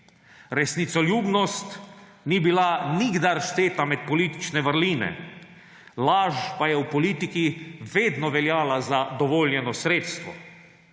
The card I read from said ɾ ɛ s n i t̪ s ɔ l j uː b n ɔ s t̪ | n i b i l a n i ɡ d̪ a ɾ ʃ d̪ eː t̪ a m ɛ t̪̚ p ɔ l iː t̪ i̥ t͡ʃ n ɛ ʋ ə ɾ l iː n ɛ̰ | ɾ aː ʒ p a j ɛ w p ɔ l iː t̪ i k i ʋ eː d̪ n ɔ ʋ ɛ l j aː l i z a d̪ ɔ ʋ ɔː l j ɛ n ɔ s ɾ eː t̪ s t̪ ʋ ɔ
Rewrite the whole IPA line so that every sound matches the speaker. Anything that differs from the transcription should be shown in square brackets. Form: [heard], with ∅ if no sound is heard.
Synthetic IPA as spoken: ɾ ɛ s n i t̪ s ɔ l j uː b n ɔ s t̪ | n i b i l a n i ɡ d̪ a ɾ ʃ [t̪] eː t̪ a m ɛ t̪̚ p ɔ l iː t̪ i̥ t͡ʃ n ɛ ʋ ə ɾ l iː n ɛ̰ | [l] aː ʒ p a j ɛ w p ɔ l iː t̪ i k i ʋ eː d̪ n ɔ ʋ ɛ l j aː l [a] z a d̪ ɔ ʋ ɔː l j ɛ n ɔ s ɾ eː t̪ s t̪ ʋ ɔ